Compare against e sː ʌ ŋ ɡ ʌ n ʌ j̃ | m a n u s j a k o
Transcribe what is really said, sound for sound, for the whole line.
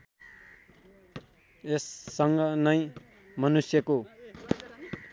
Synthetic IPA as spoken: e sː ʌ ŋ ɡ ʌ n ʌ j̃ | m ʌ n u s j ʌ k o